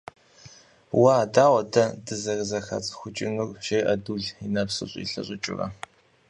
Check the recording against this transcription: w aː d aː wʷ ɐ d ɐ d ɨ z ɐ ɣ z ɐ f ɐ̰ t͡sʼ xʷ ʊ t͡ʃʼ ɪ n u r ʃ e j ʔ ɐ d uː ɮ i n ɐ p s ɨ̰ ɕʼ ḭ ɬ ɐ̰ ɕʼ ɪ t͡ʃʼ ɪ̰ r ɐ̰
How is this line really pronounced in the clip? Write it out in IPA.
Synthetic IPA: w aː d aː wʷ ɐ d ɐ d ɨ z ɐ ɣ z ɐ x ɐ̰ t͡sʼ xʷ ʊ t͡ʃʼ ɪ n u r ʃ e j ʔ ɐ d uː ɮ i n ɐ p s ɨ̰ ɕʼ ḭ ɬ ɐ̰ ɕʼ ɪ t͡ʃʼ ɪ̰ r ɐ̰